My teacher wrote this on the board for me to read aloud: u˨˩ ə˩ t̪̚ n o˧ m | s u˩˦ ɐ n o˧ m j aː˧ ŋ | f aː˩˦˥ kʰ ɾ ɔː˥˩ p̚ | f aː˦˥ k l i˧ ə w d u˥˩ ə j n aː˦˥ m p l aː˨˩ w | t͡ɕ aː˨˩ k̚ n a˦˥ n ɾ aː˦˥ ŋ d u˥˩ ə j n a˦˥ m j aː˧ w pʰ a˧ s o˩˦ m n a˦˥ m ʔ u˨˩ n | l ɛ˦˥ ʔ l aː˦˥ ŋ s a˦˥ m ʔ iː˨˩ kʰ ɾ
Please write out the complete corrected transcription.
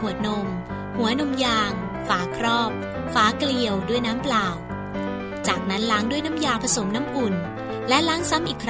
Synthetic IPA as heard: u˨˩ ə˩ t̪̚ n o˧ m | h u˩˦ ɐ n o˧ m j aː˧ ŋ | f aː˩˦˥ kʰ ɾ ɔː˥˩ p̚ | f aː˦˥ k l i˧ ə w d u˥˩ ə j n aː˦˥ m p l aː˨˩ w | t͡ɕ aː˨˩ k̚ n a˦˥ n l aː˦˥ ŋ d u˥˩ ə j n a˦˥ m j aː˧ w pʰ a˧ s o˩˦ m n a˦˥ m ʔ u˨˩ n | l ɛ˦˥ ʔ l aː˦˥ ŋ s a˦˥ m ʔ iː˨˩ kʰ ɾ